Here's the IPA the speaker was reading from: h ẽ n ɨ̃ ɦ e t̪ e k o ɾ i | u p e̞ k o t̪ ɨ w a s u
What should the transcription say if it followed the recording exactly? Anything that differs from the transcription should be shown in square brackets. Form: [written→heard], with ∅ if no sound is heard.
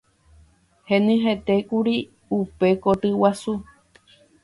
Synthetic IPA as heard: h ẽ n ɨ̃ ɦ e t̪ e k [o→u] ɾ i | u p e̞ k o t̪ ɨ w a s u